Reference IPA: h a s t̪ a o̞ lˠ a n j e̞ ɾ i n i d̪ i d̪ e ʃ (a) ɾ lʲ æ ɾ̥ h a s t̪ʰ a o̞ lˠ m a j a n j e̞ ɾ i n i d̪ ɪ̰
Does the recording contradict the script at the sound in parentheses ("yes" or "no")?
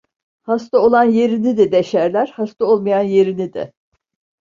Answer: yes